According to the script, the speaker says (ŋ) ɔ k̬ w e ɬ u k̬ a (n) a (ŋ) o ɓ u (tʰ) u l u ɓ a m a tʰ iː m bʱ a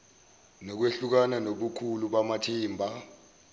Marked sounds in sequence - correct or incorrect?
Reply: incorrect: n, correct, incorrect: n, incorrect: kʰ

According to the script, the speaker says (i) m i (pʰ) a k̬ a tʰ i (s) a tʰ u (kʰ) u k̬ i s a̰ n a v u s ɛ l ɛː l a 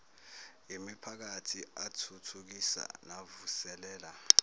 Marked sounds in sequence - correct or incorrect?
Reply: correct, correct, incorrect: none, incorrect: tʰ

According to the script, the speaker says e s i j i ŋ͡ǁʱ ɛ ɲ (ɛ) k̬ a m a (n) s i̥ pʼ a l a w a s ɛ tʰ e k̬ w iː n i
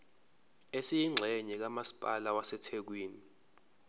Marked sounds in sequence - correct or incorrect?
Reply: correct, incorrect: none

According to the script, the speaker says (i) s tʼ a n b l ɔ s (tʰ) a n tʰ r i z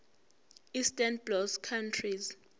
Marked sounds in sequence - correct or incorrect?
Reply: correct, incorrect: kʰ

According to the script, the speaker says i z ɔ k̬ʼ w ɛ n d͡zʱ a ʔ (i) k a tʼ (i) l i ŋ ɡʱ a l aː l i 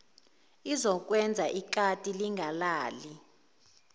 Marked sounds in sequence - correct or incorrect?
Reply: correct, correct

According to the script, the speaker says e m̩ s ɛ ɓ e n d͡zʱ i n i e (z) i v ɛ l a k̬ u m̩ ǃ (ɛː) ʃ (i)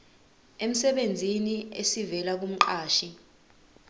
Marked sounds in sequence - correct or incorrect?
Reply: incorrect: s, incorrect: aː, correct

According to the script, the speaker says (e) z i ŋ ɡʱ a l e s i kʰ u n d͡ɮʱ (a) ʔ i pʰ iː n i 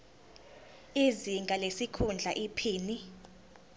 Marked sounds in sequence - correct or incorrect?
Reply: incorrect: i, correct

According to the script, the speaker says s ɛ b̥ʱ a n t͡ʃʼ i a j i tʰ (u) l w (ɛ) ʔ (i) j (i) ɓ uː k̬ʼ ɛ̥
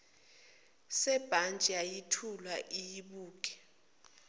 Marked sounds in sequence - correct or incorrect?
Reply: correct, incorrect: a, correct, correct

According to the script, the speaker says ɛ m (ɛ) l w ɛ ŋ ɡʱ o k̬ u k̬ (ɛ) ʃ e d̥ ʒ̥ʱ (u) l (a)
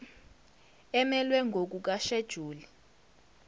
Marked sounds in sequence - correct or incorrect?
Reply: correct, incorrect: a, incorrect: uː, incorrect: i

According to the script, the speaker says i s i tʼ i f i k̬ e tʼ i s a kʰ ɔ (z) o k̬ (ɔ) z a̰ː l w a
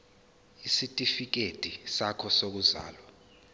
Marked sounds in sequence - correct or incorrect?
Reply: incorrect: s, incorrect: u

